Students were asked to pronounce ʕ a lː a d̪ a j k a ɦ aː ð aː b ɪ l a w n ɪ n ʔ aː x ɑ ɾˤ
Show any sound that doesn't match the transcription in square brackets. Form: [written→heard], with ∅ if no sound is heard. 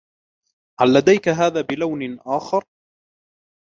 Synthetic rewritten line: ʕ a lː a d̪ a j k a ɦ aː ð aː b ɪ l a w n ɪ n ʔ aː x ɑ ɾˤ